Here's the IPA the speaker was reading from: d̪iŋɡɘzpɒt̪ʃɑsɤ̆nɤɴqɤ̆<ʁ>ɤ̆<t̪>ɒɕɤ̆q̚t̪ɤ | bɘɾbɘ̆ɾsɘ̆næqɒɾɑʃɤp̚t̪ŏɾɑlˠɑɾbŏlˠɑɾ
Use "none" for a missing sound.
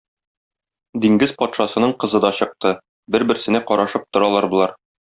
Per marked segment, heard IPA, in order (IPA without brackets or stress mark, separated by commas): z, d̪